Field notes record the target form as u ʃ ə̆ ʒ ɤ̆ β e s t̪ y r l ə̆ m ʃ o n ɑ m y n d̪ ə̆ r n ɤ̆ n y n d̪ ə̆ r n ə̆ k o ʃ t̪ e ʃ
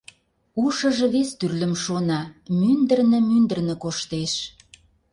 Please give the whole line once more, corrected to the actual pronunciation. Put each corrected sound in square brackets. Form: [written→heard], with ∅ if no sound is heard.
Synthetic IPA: u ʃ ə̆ ʒ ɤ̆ β e s t̪ y r l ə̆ m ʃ o n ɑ m y n d̪ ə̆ r n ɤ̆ [n→m] y n d̪ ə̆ r n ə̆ k o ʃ t̪ e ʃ